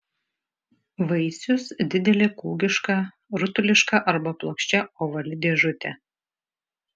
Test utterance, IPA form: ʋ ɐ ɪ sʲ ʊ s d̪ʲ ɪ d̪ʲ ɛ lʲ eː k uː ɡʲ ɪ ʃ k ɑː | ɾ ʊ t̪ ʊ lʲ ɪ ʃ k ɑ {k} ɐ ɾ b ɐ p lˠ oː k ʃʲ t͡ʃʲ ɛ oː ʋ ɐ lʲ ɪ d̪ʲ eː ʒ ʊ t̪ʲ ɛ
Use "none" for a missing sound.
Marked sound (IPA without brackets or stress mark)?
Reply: ʔ